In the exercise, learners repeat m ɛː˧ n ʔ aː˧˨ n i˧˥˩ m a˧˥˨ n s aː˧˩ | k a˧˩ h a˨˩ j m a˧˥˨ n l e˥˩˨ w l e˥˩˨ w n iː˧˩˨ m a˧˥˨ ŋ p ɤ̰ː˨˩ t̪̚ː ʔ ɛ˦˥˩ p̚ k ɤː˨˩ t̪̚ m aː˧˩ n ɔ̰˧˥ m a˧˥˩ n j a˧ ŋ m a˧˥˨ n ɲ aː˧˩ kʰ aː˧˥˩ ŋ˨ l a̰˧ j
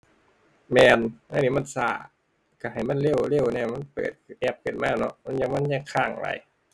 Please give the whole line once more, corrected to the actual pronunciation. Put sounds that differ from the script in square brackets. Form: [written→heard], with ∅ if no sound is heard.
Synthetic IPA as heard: m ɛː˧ n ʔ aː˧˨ n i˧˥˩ m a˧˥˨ n s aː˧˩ | k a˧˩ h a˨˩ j m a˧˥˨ n l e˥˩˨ w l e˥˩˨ w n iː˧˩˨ m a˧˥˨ [ŋ→n] p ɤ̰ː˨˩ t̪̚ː ʔ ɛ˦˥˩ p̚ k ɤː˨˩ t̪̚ m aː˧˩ n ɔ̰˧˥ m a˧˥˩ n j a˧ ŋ m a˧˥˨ n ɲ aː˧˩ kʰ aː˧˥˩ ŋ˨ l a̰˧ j